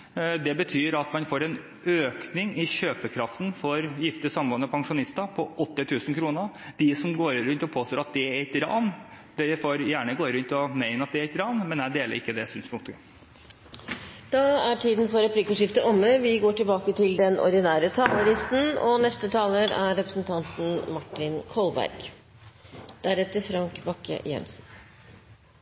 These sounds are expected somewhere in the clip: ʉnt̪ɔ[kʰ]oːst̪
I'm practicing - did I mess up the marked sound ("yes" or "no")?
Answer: yes